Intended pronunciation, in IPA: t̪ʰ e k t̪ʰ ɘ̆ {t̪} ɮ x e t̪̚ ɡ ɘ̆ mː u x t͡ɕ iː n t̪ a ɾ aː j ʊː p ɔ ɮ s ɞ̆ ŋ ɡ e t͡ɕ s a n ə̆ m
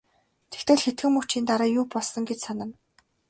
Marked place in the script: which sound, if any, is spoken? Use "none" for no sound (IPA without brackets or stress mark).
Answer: none